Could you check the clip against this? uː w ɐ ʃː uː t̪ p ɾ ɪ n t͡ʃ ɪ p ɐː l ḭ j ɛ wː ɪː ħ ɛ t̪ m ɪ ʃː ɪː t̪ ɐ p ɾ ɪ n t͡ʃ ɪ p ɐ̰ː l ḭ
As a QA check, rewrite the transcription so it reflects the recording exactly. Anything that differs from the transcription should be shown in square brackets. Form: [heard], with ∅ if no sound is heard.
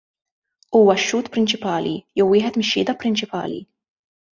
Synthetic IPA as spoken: uː w ɐ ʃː uː t̪ p ɾ ɪ n t͡ʃ ɪ p ɐː l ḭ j ɛ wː ɪː ħ ɛ t̪ m ɪ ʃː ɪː [d̪] ɐ p ɾ ɪ n t͡ʃ ɪ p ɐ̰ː l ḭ